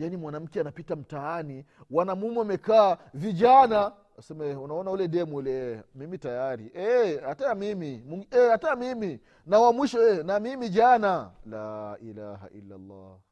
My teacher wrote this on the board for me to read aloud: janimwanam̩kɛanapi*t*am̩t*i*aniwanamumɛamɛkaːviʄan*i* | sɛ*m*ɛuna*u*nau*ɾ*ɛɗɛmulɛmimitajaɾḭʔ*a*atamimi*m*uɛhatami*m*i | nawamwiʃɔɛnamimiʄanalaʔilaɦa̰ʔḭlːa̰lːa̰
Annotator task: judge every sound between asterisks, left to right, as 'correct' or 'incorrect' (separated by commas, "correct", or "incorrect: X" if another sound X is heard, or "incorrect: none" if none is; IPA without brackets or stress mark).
correct, incorrect: a, incorrect: a, correct, incorrect: ɔ, incorrect: l, incorrect: ɛ, correct, correct